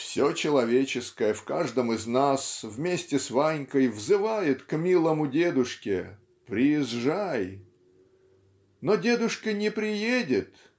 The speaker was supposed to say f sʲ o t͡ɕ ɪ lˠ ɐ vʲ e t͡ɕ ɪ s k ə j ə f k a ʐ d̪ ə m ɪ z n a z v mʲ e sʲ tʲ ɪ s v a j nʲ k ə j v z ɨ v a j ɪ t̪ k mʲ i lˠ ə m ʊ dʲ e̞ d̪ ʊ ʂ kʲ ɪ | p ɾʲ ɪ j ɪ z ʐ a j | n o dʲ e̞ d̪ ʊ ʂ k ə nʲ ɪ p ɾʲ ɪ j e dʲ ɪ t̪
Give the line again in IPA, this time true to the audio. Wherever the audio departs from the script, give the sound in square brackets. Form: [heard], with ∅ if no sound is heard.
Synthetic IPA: f sʲ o t͡ɕ ɪ lˠ ɐ vʲ e t͡ɕ ɪ s k ə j ə f k a ʐ d̪ ə m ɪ z n a [s] v mʲ e sʲ tʲ ɪ s v a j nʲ k ə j v z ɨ v a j ɪ t̪ k mʲ i lˠ ə m ʊ dʲ e̞ d̪ ʊ ʂ kʲ ɪ | p ɾʲ ɪ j ɪ z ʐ a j | n o dʲ e̞ d̪ ʊ ʂ k ə nʲ ɪ p ɾʲ ɪ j e dʲ ɪ t̪

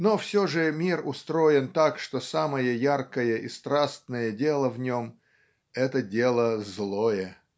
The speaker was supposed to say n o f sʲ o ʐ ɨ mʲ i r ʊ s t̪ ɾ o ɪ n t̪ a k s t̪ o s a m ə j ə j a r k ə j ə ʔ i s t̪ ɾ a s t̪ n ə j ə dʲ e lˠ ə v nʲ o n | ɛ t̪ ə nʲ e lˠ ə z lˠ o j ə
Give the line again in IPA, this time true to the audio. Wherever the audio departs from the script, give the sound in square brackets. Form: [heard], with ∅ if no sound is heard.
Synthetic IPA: n o f sʲ o ʐ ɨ mʲ i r ʊ s t̪ ɾ o ɪ n t̪ a k [ʂ] t̪ o s a m ə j ə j a r k ə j ə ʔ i s t̪ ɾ a s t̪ n ə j ə dʲ e lˠ ə v nʲ o [m] | ɛ t̪ ə [dʲ] e lˠ ə z lˠ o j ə

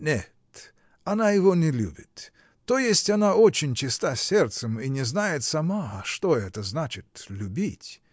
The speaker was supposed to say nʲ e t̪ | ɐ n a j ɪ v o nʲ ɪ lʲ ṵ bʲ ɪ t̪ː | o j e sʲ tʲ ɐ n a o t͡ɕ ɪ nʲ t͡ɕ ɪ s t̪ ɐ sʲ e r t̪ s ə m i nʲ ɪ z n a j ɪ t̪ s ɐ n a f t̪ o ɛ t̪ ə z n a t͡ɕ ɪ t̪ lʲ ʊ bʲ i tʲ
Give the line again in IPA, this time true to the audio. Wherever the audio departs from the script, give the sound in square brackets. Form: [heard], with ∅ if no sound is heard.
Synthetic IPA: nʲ e t̪ | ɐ n a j ɪ v o nʲ ɪ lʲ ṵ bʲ ɪ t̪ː | o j e sʲ tʲ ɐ n a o t͡ɕ ɪ nʲ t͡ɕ ɪ s t̪ [a] sʲ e r t̪ s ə m i nʲ ɪ z n a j ɪ t̪ s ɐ [m] a [ʂ] t̪ o ɛ t̪ ə z n a t͡ɕ ɪ t̪ lʲ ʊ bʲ i tʲ

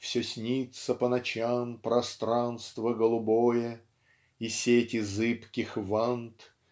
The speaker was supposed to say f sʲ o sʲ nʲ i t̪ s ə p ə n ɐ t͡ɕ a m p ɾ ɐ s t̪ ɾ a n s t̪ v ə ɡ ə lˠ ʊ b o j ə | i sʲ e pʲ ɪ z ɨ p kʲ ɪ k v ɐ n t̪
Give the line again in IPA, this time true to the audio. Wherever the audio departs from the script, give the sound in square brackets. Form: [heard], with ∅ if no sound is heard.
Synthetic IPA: f sʲ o sʲ nʲ i t̪ s ə p ə n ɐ t͡ɕ a m p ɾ ɐ s t̪ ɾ a n s t̪ v ə ɡ ə lˠ ʊ b o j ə | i sʲ e [tʲ] ɪ z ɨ p kʲ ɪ [x] v [a] n t̪

